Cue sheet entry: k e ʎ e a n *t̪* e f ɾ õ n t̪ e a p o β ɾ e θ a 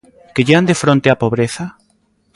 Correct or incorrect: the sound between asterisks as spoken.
incorrect: d̪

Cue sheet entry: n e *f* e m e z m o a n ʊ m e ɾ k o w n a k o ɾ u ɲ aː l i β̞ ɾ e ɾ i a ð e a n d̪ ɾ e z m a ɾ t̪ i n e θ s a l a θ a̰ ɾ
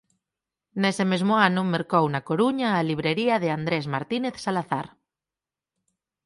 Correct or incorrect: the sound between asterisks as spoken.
incorrect: s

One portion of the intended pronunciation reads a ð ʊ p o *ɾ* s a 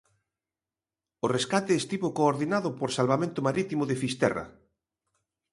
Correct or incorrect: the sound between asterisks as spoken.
correct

